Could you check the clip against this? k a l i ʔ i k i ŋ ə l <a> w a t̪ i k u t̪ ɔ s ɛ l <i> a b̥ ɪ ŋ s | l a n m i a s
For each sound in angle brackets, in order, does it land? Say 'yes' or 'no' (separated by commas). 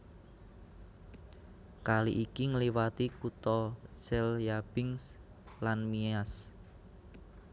no, no